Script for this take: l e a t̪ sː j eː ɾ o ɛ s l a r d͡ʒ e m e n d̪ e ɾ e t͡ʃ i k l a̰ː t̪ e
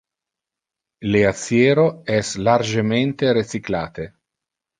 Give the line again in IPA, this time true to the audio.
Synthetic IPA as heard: l e a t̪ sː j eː ɾ o ɛ s l a r d͡ʒ e m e n t̪ e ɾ e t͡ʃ i k l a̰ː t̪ e